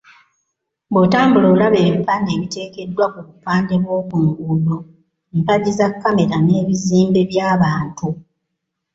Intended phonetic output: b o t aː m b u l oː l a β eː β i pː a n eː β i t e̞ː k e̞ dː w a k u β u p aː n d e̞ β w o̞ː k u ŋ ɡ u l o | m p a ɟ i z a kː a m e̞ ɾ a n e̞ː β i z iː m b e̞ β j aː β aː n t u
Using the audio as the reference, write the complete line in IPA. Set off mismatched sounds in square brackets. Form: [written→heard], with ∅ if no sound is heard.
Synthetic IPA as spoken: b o t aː m b u l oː l a β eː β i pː a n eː β i t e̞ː k e̞ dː w a k u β u p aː n d e̞ β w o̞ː k u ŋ ɡ u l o | m p a ɟ i z a kː a m e̞ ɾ a n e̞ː β i z iː m b e̞ β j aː β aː n t u